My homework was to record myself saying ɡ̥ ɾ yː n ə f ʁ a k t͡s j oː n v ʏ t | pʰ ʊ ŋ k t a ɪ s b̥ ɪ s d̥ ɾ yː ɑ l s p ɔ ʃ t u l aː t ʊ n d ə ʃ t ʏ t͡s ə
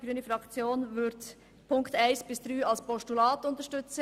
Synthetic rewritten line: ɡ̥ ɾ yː n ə f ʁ ɑ k t͡s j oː n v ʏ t | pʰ ʊ ŋ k t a ɪ s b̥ ɪ s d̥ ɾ yː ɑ l s p ɔ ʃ t u l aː t ʊ n t ə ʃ t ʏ t͡s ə